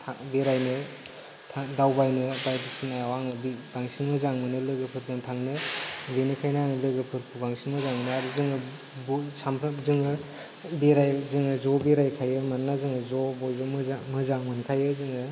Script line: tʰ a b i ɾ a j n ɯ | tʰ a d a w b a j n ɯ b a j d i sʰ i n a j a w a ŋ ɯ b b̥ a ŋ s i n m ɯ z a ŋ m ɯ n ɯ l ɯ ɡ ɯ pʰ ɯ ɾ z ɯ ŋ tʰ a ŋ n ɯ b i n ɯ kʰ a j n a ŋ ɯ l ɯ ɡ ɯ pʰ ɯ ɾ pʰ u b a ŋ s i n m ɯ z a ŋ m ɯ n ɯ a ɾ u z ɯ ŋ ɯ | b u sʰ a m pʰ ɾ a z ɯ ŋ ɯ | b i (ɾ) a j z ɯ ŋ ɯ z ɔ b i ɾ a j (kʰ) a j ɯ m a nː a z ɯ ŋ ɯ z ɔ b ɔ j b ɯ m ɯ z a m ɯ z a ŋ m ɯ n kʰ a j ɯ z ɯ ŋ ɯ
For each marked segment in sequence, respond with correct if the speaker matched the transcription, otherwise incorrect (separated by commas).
correct, correct